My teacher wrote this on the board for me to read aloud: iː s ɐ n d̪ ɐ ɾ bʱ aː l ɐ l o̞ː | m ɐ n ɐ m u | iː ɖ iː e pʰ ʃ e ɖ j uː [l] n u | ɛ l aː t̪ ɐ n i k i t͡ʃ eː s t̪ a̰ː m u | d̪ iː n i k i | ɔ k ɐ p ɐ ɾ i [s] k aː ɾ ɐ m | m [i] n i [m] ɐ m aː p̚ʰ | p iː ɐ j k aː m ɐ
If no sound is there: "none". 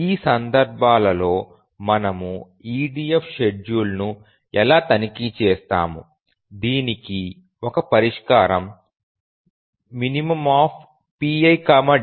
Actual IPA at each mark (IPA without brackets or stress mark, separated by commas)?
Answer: l, ʂ, i, m